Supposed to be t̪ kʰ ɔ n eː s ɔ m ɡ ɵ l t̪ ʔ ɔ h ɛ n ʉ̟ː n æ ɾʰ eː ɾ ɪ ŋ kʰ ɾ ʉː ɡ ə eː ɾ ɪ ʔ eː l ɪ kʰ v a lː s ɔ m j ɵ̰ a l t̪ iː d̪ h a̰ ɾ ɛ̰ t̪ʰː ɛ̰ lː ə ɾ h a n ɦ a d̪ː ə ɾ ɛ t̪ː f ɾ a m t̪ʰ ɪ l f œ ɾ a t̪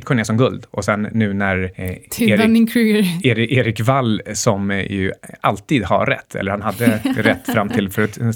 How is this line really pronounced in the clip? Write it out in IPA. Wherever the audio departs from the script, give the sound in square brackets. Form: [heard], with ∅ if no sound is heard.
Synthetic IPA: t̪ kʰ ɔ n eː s ɔ m ɡ ɵ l [d̪] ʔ ɔ [s] ɛ [nː] ʉ̟ː n æ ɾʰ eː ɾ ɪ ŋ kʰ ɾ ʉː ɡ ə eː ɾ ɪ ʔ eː [ɾ] ɪ [k] v a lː s ɔ m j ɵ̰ a l t̪ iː d̪ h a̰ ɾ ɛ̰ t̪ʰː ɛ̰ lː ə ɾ h a n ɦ a d̪ː ə ɾ ɛ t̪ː f ɾ a m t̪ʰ ɪ l f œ ɾ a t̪